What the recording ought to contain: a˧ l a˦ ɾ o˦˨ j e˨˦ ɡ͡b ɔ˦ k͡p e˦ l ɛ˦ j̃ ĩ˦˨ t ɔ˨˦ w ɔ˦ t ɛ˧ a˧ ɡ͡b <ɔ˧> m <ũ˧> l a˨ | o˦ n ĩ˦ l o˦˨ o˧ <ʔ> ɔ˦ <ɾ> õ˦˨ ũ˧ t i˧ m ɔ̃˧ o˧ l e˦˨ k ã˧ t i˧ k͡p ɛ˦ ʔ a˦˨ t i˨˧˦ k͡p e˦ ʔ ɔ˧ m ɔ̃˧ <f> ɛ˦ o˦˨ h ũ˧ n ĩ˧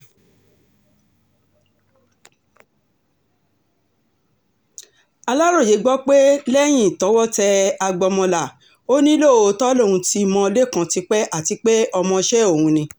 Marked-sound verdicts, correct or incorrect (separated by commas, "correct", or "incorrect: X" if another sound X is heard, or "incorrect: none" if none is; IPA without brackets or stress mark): correct, incorrect: ɔ̃˧, incorrect: t, incorrect: l, incorrect: ʃ